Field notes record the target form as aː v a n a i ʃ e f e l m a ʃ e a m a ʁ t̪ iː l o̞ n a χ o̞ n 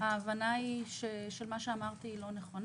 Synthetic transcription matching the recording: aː v a n a i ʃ e ʃ e l m a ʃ e a m a ʁ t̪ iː l o̞ n e χ o̞ n